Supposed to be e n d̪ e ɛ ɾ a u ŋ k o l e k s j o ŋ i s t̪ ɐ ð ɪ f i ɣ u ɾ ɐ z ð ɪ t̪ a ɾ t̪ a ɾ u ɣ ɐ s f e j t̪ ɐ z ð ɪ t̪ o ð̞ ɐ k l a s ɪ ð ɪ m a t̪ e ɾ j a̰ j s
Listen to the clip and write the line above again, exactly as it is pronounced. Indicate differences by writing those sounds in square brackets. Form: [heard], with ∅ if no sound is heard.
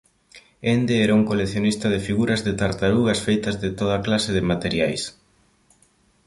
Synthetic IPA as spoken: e n d̪ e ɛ ɾ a u ŋ k o l e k [θ] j o [n] i s t̪ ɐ ð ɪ f i ɣ u ɾ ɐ z ð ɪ t̪ a ɾ t̪ a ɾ u ɣ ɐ s f e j t̪ ɐ z ð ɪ t̪ o ð̞ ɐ k l a s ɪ ð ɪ m a t̪ e ɾ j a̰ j s

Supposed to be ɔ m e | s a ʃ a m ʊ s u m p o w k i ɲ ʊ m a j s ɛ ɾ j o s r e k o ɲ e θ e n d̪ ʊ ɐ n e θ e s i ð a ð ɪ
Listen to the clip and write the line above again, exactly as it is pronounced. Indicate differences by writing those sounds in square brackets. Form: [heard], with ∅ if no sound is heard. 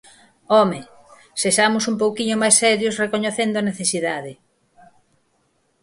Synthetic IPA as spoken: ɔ m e | s [e] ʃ a m ʊ s u m p o w k i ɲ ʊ m a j s ɛ ɾ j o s r e k o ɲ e θ e n d̪ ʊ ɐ n e θ e s i ð a ð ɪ

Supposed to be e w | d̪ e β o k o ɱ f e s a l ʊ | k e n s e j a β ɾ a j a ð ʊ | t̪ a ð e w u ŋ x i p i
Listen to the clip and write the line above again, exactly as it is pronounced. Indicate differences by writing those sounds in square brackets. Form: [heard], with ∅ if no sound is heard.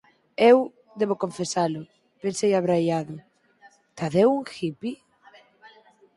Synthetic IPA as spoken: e w | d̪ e β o k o ɱ f e s a l ʊ | [p] e n s e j a β ɾ a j a ð ʊ | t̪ a ð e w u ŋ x i p i

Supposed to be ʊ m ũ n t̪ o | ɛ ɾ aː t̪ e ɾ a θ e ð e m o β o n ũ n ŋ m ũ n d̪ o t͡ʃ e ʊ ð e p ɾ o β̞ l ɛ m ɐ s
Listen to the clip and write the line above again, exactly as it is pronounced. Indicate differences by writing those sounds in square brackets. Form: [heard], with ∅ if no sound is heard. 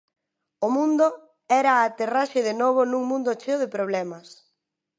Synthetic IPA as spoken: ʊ m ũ n [d̪] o | ɛ ɾ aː t̪ e [r] a [ʃ] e ð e [n] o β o n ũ [∅] ŋ m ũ n d̪ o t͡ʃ e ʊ ð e p ɾ o β̞ l ɛ m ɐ s

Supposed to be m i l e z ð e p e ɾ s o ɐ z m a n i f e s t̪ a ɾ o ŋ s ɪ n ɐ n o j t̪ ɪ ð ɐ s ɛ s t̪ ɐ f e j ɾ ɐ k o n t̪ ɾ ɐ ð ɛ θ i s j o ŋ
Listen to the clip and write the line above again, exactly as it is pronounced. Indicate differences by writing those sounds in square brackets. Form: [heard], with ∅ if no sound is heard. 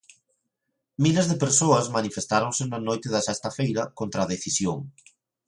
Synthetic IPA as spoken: m i l e z ð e p e ɾ s o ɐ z m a n i f e s t̪ a ɾ o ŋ s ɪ n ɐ n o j t̪ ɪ ð ɐ s ɛ s t̪ ɐ f e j ɾ ɐ k o n t̪ ɾ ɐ ð [e] θ i s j o ŋ

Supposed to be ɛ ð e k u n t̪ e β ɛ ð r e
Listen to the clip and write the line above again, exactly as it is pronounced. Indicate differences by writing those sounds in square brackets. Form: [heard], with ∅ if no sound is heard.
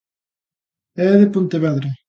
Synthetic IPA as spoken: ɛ ð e [p] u n t̪ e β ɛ ð [ɾ] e

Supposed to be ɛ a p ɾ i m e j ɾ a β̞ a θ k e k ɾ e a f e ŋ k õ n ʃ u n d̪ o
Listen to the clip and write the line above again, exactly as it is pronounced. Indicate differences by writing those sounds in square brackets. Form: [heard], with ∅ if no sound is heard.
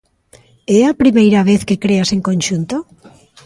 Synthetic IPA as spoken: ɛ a p ɾ i m e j ɾ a β̞ [e] θ k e k ɾ e a [s] e ŋ k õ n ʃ u n [t̪] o

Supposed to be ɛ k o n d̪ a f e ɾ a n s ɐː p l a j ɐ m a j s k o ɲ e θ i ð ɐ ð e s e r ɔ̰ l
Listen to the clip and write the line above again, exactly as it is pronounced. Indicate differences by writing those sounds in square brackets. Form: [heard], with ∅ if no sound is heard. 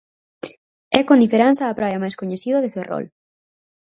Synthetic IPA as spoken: ɛ k o n d̪ [i] f e ɾ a n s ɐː p [ɾ] a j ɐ m a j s k o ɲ e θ i ð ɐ ð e [f] e r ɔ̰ l

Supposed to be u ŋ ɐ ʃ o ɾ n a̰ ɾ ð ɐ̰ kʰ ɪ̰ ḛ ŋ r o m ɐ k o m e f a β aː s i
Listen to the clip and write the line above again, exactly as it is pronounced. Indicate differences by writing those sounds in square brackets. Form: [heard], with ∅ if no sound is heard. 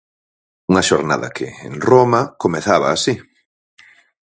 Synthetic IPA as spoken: u ŋ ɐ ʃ o ɾ n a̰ [∅] ð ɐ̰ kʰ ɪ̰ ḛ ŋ r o m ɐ k o m e [θ] a β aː s i

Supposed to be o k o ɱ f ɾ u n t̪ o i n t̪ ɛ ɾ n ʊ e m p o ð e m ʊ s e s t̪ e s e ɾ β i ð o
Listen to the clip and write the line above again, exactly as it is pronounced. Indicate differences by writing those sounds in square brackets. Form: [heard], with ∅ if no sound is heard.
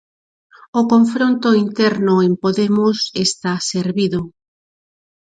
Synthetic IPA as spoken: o k o ɱ f ɾ [o] n t̪ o i n t̪ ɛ ɾ n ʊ e m p o ð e m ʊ s e s t̪ [a] s e ɾ β i ð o

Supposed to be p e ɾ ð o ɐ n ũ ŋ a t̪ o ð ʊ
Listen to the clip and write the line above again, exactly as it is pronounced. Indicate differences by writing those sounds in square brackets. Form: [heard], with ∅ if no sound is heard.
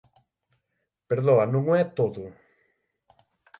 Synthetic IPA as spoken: p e ɾ ð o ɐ n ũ ŋ [ɛ] t̪ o ð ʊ

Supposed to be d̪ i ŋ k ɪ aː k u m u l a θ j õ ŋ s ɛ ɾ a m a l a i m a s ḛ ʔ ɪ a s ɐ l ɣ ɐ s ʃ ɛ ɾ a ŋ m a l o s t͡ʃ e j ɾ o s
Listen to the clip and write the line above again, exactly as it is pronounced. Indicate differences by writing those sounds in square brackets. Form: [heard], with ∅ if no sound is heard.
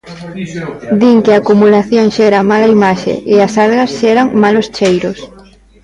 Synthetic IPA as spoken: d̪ i ŋ k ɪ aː k u m u l a θ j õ ŋ [ʃ] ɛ ɾ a m a l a i m a [ʃ] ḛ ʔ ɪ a s [a] l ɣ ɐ s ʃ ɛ ɾ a ŋ m a l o s t͡ʃ e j ɾ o s

